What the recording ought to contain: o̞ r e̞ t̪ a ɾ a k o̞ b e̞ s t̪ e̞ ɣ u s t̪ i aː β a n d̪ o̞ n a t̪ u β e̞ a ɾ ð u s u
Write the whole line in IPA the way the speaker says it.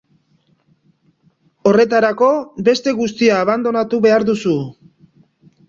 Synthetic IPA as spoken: o̞ r e̞ t̪ a ɾ a k o̞ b e̞ s t̪ e̞ ɣ u s t̪ i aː β a n d̪ o̞ n a t̪ u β e̞ a ɾ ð u s u

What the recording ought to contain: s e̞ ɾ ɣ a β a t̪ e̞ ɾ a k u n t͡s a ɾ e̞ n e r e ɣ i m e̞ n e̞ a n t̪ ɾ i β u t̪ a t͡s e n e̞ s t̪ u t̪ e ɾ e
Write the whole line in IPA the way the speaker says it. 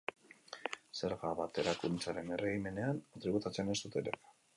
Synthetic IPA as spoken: s e̞ ɾ ɣ a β a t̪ e̞ ɾ a k u n t͡s a ɾ e̞ n e r e ɣ i m e̞ n e̞ a n t̪ ɾ i β u t̪ a t͡s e n e̞ s t̪ u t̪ e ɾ e

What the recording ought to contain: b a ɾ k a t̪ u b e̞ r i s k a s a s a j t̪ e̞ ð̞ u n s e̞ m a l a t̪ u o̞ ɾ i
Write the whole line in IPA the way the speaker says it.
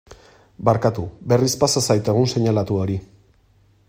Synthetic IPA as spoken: b a ɾ k a t̪ u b e̞ r i s p a s a s a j t̪ e̞ ɣ̞ u n s e̞ ɲ a l a t̪ u o̞ ɾ i

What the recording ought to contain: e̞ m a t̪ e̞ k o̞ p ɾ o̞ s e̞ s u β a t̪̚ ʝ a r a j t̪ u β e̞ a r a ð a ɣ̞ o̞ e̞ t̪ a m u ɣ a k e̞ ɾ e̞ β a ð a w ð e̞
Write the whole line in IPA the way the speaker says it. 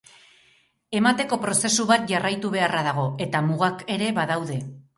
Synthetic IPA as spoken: e̞ m a t̪ e̞ k o̞ p ɾ o̞ s e̞ s u β a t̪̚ ʝ a r a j t̪ u β e̞ a r a ð a ɣ̞ o̞ e̞ t̪ a m u ɣ a k e̞ ɾ e̞ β a ð a w ð e̞

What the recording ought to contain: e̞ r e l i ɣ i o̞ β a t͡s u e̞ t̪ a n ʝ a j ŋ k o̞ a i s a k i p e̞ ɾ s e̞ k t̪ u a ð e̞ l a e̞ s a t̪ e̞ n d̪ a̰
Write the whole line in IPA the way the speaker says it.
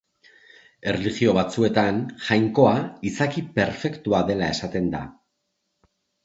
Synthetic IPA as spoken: e̞ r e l i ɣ i o̞ β a t͡s u e̞ t̪ a n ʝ a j ŋ k o̞ a i s a k i p e̞ ɾ f e̞ k t̪ u a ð e̞ l a e̞ s a t̪ e̞ n d̪ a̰

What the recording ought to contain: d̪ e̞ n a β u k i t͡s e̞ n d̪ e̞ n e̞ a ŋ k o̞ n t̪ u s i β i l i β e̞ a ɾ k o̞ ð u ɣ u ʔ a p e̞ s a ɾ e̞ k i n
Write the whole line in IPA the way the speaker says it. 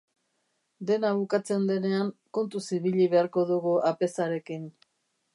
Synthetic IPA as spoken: d̪ e̞ n a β u k a t͡s e̞ n d̪ e̞ n e̞ a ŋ k o̞ n t̪ u s i β i ʎ i β e̞ a ɾ k o̞ ð u ɣ u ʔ a p e̞ s a ɾ e̞ k i n

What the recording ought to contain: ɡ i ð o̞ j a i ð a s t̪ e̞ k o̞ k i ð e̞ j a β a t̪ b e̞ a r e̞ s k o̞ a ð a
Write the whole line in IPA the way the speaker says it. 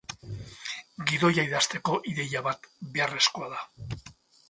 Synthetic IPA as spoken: ɡ i ð o̞ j a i ð a s t̪ e̞ k o̞ ʔ i ð e̞ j a β a t̪ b e̞ a r e̞ s k o̞ a ð a

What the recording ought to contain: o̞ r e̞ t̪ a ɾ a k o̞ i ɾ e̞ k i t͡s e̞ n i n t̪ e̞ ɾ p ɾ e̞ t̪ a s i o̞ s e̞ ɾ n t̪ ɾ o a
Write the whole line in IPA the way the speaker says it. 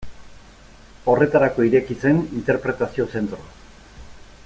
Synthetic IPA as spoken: o̞ r e̞ t̪ a ɾ a k o̞ i ɾ e̞ k i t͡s e̞ n i n t̪ e̞ ɾ p ɾ e̞ t̪ a s i o̞ s e̞ n t̪ ɾ o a

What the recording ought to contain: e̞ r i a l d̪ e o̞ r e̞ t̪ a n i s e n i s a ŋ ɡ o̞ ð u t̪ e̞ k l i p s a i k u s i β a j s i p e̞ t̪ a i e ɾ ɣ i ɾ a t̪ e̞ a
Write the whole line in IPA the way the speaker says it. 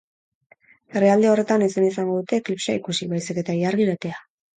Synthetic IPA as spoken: e̞ r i a l d̪ e o̞ r e̞ t̪ a n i s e n i s a ŋ ɡ o̞ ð u t̪ e̞ k l i p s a i k u s i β a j s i k e̞ t̪ a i a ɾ ɣ i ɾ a t̪ e̞ a

